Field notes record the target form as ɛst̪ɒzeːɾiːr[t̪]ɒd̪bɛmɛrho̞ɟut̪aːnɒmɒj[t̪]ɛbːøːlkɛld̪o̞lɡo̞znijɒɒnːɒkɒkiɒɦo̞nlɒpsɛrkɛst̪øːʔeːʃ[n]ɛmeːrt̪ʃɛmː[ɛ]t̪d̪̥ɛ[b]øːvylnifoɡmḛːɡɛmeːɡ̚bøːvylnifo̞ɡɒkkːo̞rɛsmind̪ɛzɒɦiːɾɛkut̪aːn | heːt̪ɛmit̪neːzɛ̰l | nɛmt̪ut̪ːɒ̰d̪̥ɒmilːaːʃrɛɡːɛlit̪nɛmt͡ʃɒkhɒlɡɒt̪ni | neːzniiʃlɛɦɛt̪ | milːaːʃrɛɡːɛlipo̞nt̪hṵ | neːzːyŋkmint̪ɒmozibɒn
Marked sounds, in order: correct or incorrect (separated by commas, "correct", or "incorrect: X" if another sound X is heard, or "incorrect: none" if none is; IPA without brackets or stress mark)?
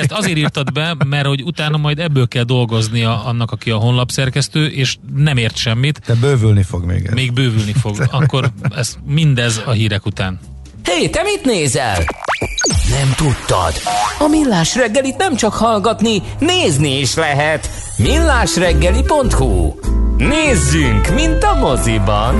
correct, incorrect: d̪, correct, incorrect: i, correct